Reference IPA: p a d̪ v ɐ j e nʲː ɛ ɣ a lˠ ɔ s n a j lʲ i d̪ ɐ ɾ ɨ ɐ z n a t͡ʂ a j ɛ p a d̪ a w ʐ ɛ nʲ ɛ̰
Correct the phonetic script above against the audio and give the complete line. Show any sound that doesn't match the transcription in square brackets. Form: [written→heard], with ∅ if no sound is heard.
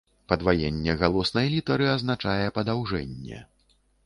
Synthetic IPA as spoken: p [a→ɐ] d̪ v [ɐ→a] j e nʲː ɛ ɣ a lˠ ɔ s n [a→ɐ] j lʲ i [d̪→t̪] ɐ ɾ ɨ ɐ z n a t͡ʂ a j ɛ p [a→ɐ] d̪ a w ʐ ɛ [nʲ→nʲː] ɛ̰